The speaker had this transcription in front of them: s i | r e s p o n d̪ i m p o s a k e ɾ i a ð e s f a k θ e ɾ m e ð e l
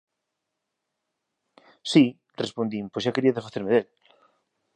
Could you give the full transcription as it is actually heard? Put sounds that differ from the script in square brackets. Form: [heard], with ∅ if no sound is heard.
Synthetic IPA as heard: s i | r e s p o n d̪ i m p o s a k e ɾ i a ð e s f a [∅] θ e ɾ m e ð e l